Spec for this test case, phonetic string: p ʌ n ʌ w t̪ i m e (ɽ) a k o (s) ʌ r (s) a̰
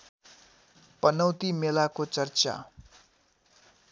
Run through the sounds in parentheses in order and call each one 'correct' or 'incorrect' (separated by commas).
incorrect, incorrect, incorrect